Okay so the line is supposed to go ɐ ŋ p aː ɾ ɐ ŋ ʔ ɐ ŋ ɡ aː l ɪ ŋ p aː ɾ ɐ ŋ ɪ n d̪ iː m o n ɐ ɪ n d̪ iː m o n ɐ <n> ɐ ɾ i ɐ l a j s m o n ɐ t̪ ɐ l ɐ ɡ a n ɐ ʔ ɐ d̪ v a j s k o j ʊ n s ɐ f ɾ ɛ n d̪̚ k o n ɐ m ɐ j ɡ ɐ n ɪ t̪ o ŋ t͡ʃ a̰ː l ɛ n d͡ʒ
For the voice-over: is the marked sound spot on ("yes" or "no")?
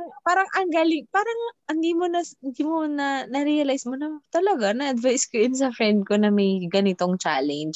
yes